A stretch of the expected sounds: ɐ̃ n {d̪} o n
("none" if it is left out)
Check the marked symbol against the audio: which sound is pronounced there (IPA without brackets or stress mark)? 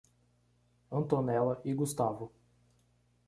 t̪